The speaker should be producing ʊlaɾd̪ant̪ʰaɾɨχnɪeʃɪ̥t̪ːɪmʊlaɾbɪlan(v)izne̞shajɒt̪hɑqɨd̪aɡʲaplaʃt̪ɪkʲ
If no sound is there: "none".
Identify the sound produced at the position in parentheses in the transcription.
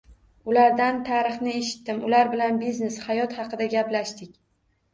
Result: b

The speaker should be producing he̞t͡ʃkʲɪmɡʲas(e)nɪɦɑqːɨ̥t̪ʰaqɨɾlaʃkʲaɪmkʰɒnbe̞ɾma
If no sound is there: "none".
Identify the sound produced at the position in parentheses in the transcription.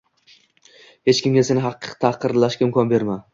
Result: e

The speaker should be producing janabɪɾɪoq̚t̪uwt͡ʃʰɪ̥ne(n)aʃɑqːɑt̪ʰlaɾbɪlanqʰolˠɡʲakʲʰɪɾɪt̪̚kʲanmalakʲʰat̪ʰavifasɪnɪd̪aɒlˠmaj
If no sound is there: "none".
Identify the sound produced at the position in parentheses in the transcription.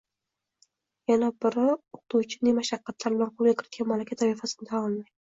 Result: m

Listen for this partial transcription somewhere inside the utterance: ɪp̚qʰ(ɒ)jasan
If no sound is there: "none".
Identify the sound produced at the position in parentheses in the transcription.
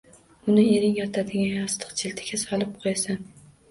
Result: o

